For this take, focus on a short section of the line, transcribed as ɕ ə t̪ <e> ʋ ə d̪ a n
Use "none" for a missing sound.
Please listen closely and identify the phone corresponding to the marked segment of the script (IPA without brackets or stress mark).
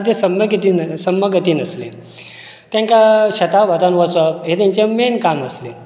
a